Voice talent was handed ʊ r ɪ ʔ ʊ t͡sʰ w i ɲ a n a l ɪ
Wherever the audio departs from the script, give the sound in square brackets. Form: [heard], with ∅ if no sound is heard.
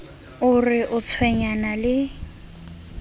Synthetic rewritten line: ʊ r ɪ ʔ ʊ t͡sʰ w [ɛ] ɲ a n a l ɪ